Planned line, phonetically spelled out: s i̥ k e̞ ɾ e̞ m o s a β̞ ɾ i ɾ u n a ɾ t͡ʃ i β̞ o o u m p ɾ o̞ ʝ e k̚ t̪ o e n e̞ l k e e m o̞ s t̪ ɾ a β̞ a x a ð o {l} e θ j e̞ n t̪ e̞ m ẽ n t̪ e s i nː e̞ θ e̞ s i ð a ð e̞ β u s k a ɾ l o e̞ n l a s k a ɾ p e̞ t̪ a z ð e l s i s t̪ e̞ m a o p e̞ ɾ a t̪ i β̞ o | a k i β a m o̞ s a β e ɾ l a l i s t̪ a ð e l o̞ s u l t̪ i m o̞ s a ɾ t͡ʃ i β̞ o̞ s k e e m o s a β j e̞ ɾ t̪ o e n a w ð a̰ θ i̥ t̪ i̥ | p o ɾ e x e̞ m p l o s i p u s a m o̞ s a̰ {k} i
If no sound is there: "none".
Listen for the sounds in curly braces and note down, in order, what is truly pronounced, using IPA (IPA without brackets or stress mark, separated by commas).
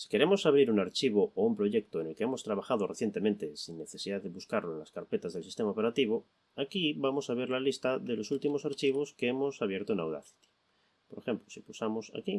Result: r, k